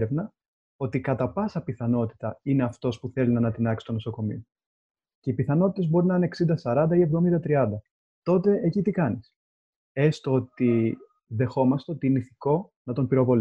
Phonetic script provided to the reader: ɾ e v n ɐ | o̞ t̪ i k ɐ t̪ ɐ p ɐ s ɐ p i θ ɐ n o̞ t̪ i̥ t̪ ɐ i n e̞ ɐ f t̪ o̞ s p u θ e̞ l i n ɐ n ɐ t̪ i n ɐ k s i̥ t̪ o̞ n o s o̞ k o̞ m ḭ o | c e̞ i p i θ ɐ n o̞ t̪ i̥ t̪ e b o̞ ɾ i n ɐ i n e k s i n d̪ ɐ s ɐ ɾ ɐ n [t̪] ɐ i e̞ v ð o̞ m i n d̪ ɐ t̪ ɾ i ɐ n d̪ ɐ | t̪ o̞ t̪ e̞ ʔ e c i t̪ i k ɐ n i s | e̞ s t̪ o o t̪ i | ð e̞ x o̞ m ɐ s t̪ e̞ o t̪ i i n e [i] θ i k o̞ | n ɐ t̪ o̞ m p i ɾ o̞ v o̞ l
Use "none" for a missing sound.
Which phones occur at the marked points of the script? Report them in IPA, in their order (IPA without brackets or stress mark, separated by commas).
d̪, i